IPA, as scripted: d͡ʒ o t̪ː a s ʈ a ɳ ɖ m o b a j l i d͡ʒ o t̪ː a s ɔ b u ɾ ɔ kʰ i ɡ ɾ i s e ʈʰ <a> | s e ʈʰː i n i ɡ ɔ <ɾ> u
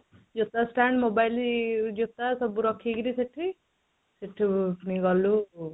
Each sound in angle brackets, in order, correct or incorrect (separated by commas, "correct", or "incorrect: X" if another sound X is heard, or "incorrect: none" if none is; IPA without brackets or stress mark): incorrect: i, incorrect: l